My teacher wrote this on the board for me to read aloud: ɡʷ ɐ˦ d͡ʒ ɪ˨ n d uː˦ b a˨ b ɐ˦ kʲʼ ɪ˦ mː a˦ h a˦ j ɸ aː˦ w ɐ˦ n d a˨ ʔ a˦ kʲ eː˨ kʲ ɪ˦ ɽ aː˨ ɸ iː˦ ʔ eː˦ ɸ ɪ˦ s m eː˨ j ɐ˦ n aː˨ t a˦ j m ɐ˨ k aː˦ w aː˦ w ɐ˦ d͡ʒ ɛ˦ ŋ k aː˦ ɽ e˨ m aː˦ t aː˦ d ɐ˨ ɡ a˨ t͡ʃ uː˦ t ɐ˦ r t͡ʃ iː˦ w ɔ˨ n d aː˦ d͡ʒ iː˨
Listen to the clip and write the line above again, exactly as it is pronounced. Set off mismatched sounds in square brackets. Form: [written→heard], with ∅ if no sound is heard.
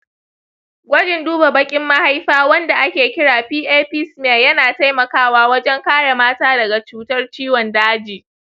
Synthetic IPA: ɡʷ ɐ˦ d͡ʒ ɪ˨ n d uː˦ b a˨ b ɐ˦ kʲʼ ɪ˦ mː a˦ h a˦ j ɸ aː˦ w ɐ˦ n d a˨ ʔ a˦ kʲ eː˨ kʲ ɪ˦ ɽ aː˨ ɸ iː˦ ʔ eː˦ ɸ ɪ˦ s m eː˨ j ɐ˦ n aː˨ t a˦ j m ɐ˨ k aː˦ w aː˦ w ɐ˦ d͡ʒ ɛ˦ ŋ k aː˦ ɽ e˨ m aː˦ t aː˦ d ɐ˨ ɡ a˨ t͡ʃ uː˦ t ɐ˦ r t͡ʃ iː˦ w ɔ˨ n d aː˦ d͡ʒ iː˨